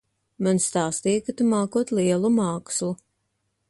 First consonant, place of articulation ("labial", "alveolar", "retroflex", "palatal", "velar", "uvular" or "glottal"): labial